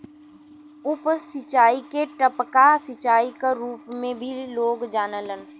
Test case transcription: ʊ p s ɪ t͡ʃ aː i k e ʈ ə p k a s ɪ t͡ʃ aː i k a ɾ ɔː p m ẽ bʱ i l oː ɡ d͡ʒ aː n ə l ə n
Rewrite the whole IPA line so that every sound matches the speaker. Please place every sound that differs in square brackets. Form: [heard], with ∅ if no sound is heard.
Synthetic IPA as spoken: ʊ p s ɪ t͡ʃ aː i k e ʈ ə p k a s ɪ t͡ʃ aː i k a ɾ [uː] p m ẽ bʱ i l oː ɡ d͡ʒ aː n ə l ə n